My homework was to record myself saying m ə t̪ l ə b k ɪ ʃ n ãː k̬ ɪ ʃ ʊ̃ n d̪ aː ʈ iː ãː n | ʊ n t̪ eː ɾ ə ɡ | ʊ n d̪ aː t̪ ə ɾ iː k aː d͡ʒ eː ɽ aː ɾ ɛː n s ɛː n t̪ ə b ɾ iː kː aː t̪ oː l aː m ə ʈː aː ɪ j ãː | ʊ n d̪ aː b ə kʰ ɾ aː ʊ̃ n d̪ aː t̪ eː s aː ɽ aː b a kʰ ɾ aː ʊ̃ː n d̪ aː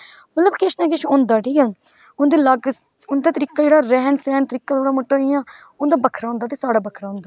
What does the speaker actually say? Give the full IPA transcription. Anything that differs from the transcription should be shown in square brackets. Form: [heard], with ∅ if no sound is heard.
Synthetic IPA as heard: m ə t̪ l ə b k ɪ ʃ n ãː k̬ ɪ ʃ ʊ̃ n d̪ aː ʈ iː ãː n | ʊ n [d̪] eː [l] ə ɡ | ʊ n d̪ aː t̪ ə ɾ iː k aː d͡ʒ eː ɽ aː ɾ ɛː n s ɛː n t̪ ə [∅] ɾ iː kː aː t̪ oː [ɽ] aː m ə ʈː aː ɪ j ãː | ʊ n d̪ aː b ə kʰ ɾ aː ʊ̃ n d̪ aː t̪ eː s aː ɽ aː b [ə] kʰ ɾ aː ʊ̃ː n d̪ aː

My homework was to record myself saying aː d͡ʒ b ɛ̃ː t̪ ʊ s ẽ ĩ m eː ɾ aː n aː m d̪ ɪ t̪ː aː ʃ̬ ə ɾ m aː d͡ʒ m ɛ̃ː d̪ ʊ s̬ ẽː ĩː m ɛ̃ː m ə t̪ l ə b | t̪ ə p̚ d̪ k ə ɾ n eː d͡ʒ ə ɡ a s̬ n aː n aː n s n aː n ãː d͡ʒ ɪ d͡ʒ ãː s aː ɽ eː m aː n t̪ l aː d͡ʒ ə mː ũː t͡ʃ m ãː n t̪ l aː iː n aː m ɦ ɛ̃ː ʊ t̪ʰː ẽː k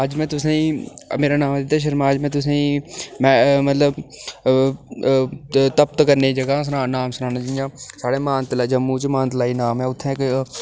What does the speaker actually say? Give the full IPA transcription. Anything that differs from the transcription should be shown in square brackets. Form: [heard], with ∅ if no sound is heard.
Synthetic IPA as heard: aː d͡ʒ [m] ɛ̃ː t̪ ʊ s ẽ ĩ m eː ɾ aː n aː m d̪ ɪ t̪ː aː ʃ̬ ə ɾ m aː d͡ʒ m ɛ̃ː [t̪] ʊ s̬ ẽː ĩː m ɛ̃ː m ə t̪ l ə b | t̪ ə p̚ [t̪] k ə ɾ n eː d͡ʒ ə ɡ a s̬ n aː n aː [m] s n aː n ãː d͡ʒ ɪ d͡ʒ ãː s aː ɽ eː m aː n t̪ l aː d͡ʒ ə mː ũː t͡ʃ m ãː n t̪ l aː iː n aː m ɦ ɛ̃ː ʊ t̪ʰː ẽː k

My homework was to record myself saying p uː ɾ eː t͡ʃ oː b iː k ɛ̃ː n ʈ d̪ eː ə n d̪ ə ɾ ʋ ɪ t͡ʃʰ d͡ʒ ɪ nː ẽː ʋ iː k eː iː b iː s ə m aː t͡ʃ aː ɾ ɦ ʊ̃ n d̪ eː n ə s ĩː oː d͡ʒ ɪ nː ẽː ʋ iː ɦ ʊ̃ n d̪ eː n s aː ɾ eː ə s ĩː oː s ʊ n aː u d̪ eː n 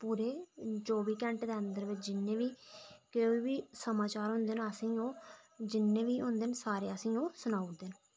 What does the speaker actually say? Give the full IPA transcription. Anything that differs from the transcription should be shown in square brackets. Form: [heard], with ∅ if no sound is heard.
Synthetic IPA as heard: p uː ɾ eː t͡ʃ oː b iː k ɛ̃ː [ɳ] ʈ d̪ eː ə n d̪ ə ɾ ʋ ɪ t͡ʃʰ d͡ʒ ɪ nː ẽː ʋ iː k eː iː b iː s ə m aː t͡ʃ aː ɾ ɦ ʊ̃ n d̪ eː n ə s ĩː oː d͡ʒ ɪ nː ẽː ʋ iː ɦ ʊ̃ n d̪ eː n s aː ɾ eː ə s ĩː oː s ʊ n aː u d̪ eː n

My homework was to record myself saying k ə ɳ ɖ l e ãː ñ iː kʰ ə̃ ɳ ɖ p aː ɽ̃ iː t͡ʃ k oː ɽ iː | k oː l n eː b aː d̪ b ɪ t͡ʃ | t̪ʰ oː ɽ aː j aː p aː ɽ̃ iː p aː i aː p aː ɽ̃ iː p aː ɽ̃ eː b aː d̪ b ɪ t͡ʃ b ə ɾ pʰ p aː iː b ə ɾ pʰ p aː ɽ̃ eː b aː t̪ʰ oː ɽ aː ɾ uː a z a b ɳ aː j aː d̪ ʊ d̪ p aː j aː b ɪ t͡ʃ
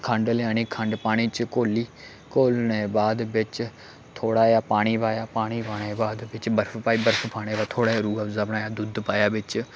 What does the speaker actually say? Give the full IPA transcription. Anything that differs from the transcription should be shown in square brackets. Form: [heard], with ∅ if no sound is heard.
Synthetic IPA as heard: [kʰ] ə ɳ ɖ l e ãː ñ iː kʰ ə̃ ɳ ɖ p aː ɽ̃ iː t͡ʃ k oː [l] iː | k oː l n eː b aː d̪ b ɪ t͡ʃ | t̪ʰ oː ɽ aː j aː p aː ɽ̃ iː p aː [j] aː p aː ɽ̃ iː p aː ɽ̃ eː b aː d̪ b ɪ t͡ʃ b ə ɾ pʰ p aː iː b ə ɾ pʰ p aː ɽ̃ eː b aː t̪ʰ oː ɽ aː ɾ uː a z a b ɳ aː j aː d̪ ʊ d̪ p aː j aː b ɪ t͡ʃ

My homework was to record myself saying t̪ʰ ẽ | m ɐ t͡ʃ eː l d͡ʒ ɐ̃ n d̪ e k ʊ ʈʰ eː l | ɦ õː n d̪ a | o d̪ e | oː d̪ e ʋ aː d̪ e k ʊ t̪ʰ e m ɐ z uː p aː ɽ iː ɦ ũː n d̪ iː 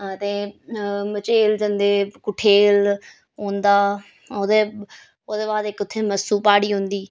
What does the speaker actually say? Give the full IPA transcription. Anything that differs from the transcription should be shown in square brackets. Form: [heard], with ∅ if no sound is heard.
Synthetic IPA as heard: [t̪] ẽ | m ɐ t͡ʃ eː l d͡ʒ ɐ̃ n d̪ e k ʊ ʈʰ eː l | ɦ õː n d̪ a | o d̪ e | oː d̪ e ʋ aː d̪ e k ʊ t̪ʰ e m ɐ [s] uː p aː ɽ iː ɦ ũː n d̪ iː

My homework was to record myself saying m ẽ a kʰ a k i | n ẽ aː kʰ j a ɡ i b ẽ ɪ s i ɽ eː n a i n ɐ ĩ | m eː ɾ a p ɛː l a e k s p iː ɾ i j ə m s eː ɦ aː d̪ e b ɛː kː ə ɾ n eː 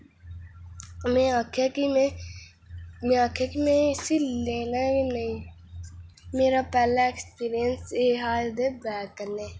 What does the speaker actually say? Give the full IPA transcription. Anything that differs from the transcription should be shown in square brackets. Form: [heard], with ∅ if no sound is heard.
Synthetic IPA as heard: m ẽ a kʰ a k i | [m] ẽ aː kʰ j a [k] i [m] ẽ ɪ s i [l] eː n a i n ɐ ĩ | m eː ɾ a p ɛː l a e k s p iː ɾ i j ə [n] s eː ɦ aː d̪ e b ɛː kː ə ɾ n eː

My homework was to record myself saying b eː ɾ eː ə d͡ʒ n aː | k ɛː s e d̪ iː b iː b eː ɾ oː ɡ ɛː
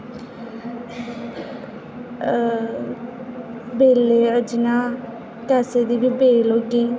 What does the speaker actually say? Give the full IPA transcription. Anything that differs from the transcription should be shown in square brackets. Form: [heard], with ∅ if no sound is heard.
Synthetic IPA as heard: b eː [l] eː ə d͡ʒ n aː | k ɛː s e d̪ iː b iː b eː [l] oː ɡ [iː]

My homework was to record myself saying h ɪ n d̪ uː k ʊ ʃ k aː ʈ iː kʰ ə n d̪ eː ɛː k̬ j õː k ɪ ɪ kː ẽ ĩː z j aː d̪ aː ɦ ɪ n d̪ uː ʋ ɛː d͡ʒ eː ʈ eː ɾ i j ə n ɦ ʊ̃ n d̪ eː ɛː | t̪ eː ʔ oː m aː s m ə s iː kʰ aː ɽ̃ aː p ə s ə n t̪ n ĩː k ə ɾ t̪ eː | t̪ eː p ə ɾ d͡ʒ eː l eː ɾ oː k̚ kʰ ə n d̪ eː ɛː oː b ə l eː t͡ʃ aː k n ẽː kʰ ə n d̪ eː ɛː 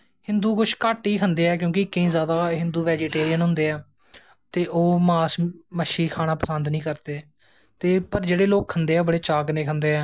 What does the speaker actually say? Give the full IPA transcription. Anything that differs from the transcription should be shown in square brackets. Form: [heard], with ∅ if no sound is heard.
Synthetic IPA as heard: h ɪ n d̪ uː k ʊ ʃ k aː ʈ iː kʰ ə n d̪ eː ɛː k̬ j õː k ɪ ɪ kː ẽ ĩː z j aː d̪ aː ɦ ɪ n d̪ uː ʋ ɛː d͡ʒ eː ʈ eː ɾ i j ə n ɦ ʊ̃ n d̪ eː ɛː | t̪ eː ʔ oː m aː s m ə [ʃ] iː kʰ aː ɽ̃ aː p ə s ə n [d̪] n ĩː k ə ɾ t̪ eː | t̪ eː p ə ɾ d͡ʒ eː [ɽ] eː [l] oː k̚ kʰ ə n d̪ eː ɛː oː b ə [ɽ] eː t͡ʃ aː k n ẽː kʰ ə n d̪ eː ɛː

